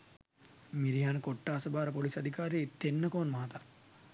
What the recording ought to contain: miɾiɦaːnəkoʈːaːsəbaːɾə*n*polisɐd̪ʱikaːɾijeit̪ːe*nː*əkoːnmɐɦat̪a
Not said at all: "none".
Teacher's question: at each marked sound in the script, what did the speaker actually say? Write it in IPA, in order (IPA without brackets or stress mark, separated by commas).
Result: none, nː